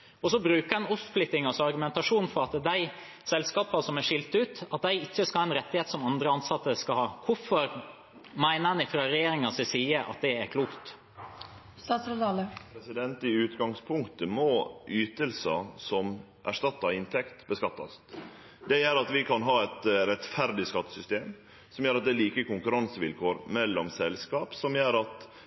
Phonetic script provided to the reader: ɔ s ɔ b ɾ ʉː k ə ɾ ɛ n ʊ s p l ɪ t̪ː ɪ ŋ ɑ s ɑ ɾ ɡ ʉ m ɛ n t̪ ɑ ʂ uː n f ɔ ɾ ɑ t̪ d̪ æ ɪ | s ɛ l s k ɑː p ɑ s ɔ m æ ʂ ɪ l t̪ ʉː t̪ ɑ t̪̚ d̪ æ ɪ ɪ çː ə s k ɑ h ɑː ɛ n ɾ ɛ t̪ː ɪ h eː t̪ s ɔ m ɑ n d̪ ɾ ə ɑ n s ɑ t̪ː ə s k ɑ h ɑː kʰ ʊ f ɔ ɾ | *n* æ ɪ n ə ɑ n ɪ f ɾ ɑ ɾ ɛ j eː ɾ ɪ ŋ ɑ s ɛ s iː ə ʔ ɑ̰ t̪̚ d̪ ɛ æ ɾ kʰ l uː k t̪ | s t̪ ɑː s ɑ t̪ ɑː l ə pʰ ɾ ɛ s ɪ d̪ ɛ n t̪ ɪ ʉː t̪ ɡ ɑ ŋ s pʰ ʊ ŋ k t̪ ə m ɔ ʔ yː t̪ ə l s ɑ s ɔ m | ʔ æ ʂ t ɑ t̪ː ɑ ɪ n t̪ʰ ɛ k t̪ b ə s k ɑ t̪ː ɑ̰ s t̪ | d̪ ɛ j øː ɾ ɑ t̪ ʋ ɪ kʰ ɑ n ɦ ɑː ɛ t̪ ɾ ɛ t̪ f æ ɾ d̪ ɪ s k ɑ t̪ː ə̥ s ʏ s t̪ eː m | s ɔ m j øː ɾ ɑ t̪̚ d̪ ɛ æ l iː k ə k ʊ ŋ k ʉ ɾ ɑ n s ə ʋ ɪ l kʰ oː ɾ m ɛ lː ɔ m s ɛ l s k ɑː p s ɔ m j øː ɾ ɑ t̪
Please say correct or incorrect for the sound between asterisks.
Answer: incorrect: m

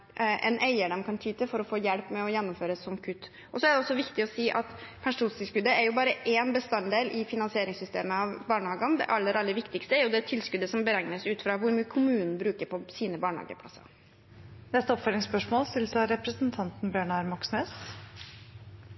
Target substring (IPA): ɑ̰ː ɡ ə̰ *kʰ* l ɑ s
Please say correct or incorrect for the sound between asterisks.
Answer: incorrect: pʰ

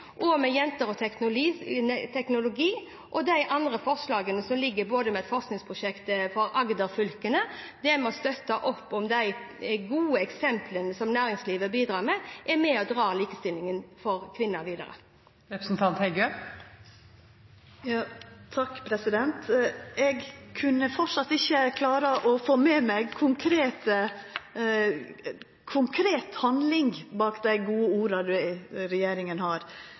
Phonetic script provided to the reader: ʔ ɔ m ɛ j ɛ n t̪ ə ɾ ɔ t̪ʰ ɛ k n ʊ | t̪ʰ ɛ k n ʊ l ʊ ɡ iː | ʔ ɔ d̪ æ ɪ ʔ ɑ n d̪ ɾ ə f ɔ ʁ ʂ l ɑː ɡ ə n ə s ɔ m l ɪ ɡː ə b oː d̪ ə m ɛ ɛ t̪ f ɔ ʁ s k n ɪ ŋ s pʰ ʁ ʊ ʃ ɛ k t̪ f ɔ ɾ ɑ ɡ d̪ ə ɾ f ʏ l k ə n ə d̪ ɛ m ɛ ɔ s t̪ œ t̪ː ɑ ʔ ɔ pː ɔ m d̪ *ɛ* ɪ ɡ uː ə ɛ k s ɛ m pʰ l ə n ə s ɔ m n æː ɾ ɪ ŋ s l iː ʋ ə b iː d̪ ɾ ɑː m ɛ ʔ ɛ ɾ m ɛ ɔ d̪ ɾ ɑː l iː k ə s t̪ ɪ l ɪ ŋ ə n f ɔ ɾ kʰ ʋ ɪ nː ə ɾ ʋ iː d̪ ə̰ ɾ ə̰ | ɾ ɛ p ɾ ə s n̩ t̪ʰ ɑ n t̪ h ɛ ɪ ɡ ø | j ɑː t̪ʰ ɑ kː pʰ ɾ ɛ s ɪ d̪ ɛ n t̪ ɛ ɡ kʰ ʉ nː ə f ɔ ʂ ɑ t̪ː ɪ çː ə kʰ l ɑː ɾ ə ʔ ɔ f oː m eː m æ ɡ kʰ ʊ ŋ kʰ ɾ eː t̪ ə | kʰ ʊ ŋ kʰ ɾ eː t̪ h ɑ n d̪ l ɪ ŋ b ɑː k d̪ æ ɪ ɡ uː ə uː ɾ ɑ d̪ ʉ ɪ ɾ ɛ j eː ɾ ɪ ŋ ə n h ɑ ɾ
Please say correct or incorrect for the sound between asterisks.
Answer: incorrect: æ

